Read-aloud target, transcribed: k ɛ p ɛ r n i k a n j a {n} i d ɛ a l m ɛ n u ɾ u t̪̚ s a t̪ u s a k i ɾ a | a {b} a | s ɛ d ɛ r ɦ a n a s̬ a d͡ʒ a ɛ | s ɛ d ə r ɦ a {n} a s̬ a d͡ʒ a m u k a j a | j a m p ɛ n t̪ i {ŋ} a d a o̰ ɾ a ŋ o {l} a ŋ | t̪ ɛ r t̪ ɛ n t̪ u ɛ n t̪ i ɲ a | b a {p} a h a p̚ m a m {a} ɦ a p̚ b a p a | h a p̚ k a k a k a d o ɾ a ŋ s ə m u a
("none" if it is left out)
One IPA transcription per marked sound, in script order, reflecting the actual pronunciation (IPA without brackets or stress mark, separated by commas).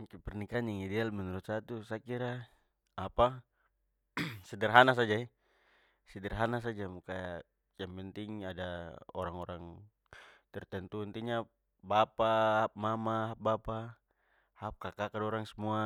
ŋ, p, n, ŋ, ɾ, p, a